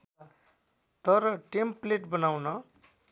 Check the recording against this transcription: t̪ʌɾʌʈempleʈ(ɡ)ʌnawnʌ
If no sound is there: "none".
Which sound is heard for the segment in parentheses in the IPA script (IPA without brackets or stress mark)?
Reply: b